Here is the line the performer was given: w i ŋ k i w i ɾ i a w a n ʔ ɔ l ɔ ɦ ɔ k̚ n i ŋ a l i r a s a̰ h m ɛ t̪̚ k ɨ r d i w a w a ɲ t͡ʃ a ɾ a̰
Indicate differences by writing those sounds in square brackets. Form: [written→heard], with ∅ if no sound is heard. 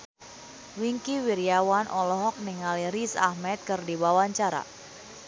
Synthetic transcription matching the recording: w i ŋ k i w i ɾ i a w a n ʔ ɔ l ɔ ɦ ɔ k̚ n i ŋ a l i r [a→i] s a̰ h m ɛ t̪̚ k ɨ r d i w a w a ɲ t͡ʃ a ɾ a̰